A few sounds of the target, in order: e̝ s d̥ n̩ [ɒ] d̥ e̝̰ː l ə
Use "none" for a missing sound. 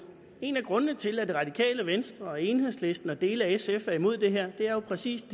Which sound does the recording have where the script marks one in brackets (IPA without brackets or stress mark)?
ɒ